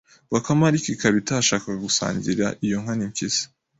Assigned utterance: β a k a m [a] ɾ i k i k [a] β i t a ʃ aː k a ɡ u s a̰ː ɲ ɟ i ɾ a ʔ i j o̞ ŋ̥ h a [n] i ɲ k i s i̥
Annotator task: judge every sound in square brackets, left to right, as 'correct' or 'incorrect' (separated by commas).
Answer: correct, correct, correct